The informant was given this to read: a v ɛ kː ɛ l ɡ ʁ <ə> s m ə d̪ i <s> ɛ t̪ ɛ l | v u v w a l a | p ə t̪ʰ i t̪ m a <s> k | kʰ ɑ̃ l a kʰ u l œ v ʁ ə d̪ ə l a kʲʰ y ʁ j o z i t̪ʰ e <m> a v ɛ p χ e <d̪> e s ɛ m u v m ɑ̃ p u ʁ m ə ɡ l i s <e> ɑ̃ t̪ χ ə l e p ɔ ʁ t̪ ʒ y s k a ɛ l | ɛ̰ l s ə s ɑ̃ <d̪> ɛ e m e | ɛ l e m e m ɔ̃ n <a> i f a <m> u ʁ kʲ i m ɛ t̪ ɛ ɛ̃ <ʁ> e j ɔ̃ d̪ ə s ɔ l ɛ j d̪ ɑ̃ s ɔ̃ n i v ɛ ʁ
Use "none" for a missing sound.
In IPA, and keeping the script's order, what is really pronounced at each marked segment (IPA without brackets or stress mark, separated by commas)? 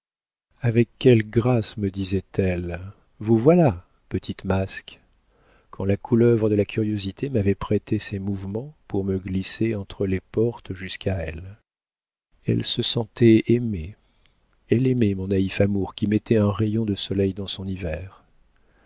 a, z, s, m, t̪, e, t̪, a, m, ʁ